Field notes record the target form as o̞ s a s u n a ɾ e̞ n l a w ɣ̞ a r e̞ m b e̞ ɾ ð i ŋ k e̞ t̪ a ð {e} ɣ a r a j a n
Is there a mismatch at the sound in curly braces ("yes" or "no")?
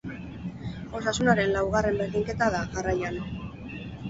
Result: yes